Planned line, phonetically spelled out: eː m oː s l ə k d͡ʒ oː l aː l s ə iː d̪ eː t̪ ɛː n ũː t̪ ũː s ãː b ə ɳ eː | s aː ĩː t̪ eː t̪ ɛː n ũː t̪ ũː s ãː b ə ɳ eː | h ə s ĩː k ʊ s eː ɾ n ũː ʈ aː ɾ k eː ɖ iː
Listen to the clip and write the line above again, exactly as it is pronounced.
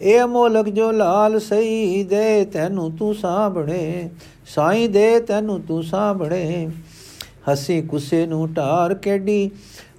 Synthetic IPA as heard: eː m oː l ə k d͡ʒ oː l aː l s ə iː d̪ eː t̪ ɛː n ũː t̪ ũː s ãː b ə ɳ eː | s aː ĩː d̪ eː t̪ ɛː n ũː t̪ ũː s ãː b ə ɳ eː | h ə s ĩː k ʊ s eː n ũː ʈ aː ɾ k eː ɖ iː